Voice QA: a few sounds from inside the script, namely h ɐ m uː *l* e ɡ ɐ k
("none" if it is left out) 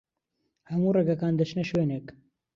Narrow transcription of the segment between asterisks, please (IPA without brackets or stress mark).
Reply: r